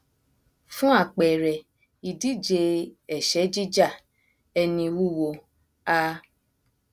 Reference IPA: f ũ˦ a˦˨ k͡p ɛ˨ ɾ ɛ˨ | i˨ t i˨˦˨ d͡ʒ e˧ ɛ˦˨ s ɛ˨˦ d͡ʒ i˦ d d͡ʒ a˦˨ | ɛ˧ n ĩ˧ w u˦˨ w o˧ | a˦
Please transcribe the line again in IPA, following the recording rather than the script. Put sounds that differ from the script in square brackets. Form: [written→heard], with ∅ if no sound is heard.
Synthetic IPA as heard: f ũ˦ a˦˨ k͡p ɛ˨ ɾ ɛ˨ | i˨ [t→d] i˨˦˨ d͡ʒ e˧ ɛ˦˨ [s→ʃ] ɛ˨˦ d͡ʒ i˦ [d→∅] d͡ʒ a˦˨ | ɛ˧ n ĩ˧ w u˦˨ w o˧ | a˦